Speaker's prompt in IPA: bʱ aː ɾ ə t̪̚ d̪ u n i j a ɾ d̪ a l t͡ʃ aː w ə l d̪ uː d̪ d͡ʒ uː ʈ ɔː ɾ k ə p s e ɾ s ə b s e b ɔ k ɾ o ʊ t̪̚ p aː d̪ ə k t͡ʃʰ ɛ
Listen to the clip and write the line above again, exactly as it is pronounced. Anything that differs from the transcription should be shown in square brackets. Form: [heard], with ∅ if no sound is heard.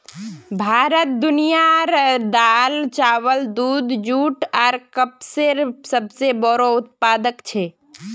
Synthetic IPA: bʱ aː ɾ ə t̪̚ d̪ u n i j a ɾ d̪ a l t͡ʃ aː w ə l d̪ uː d̪ d͡ʒ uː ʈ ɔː ɾ k ə p s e ɾ s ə b s e b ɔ [∅] ɾ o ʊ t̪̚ p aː d̪ ə k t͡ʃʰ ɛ